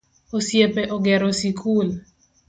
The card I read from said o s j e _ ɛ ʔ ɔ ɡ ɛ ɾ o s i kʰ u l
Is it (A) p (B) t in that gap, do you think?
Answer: A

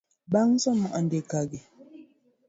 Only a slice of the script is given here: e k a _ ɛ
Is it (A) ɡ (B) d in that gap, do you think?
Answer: A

